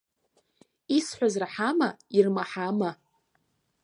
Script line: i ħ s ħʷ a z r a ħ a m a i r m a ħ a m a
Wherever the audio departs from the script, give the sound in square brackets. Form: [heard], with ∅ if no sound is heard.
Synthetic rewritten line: i [∅] s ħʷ a z r a ħ a m a i r m a ħ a m a